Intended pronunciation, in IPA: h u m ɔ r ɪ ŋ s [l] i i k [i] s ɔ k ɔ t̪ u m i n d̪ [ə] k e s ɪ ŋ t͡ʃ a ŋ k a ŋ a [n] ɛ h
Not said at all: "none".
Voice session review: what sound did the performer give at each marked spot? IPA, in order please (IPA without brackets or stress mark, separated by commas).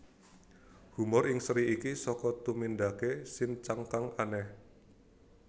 ɾ, i, a, n